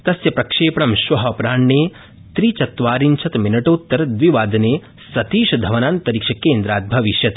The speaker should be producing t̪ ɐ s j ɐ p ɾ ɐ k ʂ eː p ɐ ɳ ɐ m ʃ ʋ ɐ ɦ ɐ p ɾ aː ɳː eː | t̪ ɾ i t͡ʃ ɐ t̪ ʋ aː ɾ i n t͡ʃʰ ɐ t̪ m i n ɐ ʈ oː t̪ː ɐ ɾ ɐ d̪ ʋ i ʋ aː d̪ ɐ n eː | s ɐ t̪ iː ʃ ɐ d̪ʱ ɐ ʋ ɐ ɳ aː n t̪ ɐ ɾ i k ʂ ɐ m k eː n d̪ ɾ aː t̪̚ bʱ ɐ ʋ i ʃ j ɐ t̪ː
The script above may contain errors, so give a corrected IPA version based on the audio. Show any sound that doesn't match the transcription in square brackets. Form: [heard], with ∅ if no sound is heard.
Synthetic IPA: t̪ ɐ s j ɐ p ɾ ɐ k ʂ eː p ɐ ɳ ɐ m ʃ ʋ ɐ ɦ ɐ p ɾ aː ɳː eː | t̪ ɾ i t͡ʃ ɐ t̪ ʋ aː ɾ i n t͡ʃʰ ɐ t̪ m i n ɐ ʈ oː t̪ː ɐ ɾ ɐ d̪ ʋ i ʋ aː d̪ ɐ n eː | s ɐ t̪ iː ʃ ɐ d̪ʱ ɐ ʋ ɐ [n] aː n t̪ ɐ ɾ i k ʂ ɐ [∅] k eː n d̪ ɾ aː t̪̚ bʱ ɐ ʋ i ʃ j ɐ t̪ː